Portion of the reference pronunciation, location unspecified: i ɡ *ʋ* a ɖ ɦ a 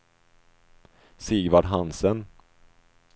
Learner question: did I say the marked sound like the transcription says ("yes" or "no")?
no